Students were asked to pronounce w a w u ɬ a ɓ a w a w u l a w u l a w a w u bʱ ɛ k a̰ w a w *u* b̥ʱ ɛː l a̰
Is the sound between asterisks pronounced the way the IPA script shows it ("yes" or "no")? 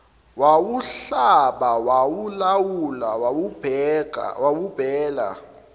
yes